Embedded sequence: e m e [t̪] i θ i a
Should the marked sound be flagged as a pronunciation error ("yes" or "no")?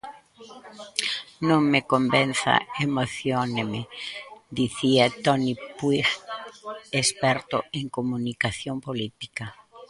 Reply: yes